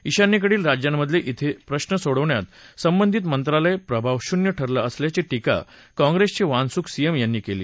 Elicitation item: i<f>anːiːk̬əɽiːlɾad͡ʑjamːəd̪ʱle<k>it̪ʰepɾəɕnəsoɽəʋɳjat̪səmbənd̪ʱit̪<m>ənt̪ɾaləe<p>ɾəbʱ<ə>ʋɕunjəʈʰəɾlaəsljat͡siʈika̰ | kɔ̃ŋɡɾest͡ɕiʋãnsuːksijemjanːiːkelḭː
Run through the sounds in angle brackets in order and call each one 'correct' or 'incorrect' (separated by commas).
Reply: incorrect, incorrect, correct, correct, incorrect